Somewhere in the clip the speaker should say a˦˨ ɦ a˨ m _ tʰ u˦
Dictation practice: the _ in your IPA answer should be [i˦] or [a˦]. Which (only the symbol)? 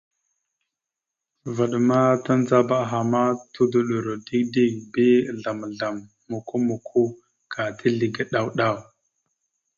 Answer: a˦